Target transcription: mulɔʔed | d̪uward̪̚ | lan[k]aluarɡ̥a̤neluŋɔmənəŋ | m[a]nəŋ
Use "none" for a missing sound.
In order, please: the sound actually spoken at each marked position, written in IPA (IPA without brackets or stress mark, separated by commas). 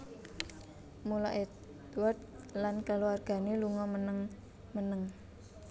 k, ə